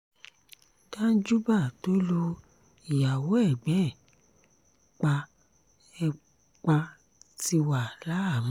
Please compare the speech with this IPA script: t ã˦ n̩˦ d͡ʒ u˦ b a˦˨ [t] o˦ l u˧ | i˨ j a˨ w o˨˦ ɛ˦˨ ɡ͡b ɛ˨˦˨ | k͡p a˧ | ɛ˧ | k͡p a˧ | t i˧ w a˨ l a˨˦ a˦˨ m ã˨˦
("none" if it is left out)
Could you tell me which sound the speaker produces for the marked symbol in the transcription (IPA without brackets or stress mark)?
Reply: t